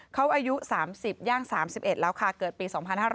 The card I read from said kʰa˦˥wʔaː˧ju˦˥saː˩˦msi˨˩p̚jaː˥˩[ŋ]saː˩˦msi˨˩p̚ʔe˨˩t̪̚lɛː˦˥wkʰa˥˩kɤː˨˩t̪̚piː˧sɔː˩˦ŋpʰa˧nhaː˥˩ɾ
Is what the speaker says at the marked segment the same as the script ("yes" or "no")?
yes